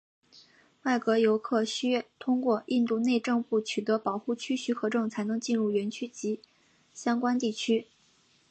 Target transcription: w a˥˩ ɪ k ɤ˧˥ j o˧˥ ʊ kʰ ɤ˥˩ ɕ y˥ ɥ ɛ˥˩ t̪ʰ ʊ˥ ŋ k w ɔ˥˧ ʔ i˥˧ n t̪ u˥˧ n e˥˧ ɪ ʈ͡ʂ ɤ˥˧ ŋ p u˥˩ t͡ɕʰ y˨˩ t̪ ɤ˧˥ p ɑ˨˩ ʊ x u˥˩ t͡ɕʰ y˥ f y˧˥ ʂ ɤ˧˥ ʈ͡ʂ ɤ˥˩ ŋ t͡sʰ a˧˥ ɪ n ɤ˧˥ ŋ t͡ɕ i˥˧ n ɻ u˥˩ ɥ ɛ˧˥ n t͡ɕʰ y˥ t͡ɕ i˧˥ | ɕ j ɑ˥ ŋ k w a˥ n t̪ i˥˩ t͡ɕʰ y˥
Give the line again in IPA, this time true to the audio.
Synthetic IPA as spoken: w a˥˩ ɪ k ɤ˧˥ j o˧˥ ʊ kʰ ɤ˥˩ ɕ y˥ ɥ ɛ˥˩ t̪ʰ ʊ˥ ŋ k w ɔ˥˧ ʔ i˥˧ n t̪ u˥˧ n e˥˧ ɪ ʈ͡ʂ ɤ˥˧ ŋ p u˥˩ t͡ɕʰ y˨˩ t̪ ɤ˧˥ p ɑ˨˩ ʊ x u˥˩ t͡ɕʰ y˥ ɕ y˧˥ x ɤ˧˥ ʈ͡ʂ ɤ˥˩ ŋ t͡sʰ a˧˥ ɪ n ɤ˧˥ ŋ t͡ɕ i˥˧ n ɻ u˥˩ ɥ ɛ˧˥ n t͡ɕʰ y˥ t͡ɕ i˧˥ | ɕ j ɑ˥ ŋ k w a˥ n t̪ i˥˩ t͡ɕʰ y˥

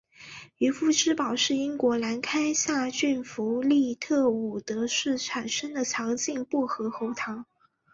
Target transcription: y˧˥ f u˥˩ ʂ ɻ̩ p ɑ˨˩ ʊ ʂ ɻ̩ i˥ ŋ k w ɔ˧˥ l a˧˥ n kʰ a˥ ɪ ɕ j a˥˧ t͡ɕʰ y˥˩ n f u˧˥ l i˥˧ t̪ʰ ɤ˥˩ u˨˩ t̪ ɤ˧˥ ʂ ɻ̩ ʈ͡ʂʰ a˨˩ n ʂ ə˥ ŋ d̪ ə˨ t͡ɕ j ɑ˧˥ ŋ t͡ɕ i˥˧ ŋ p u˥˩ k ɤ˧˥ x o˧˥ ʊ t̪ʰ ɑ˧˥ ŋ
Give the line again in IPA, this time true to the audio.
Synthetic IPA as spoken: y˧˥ f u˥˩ ʈ͡ʂ ɻ̩ p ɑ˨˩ ʊ ʂ ɻ̩ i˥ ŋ k w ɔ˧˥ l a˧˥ n kʰ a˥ ɪ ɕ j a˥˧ t͡ɕ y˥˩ n f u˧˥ l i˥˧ t̪ʰ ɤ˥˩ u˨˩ t̪ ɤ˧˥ ʂ ɻ̩ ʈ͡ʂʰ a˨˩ n ʂ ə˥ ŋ d̪ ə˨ t͡ɕʰ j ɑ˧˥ ŋ t͡ɕ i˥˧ ŋ p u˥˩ x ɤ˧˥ x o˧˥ ʊ t̪ʰ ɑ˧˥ ŋ

